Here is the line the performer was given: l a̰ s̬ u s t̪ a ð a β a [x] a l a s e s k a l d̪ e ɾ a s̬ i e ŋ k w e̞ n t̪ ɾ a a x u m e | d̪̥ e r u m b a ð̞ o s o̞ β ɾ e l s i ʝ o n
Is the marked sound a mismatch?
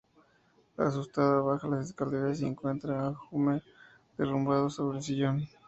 no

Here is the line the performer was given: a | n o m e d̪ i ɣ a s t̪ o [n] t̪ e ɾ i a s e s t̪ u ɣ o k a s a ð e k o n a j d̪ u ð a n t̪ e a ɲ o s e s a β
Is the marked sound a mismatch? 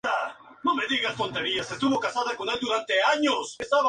no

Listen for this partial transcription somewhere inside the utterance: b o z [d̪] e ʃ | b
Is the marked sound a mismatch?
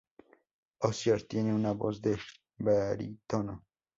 no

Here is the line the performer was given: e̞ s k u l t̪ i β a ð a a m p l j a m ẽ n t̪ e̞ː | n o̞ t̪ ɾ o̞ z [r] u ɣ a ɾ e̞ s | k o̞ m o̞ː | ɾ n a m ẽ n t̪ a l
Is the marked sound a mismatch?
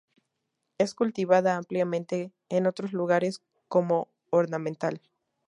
yes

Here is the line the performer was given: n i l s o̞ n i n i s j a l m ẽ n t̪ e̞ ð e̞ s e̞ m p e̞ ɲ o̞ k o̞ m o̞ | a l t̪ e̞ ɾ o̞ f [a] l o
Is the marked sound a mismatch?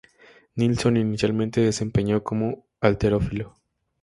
yes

